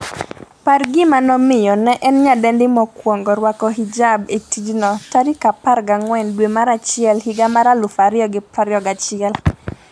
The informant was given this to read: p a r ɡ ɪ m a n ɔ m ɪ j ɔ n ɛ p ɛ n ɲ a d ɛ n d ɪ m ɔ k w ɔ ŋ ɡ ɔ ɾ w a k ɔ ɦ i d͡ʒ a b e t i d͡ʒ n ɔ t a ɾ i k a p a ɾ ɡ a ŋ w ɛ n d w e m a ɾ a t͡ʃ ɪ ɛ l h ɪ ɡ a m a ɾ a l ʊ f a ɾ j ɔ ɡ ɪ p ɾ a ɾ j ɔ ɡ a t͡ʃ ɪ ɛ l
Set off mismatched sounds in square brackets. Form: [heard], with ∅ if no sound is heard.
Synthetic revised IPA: p a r ɡ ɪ m a n ɔ m ɪ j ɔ n ɛ [ʔ] ɛ n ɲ a d ɛ n d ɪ m ɔ k w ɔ ŋ ɡ ɔ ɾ w a k ɔ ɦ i d͡ʒ a b e t i d͡ʒ n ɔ t a ɾ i k a p a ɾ ɡ a ŋ w ɛ n d w e m a ɾ a t͡ʃ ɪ ɛ l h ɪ ɡ a m a ɾ a l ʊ f a ɾ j ɔ ɡ ɪ p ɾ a ɾ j ɔ ɡ a t͡ʃ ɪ ɛ l